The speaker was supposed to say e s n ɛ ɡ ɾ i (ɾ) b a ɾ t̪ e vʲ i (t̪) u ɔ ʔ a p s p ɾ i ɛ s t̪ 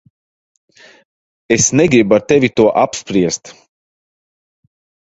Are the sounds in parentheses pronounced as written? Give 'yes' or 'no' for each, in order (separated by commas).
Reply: no, yes